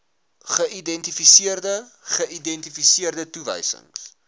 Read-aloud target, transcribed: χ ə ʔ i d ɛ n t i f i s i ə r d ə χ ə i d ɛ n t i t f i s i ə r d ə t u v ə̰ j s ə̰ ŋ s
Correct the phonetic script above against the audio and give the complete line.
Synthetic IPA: χ ə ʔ i d ɛ n t i f i s i ə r d ə χ ə i d ɛ n t i f i s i ə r d ə t u v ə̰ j s ə̰ ŋ s